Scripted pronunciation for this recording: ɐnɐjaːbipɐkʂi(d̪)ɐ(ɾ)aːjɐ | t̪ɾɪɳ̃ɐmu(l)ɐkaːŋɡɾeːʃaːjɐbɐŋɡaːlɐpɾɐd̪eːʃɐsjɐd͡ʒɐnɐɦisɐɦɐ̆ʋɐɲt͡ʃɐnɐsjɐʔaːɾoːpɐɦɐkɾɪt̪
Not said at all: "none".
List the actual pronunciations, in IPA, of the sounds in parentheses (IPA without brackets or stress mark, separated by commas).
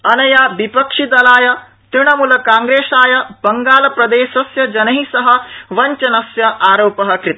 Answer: d̪, l, l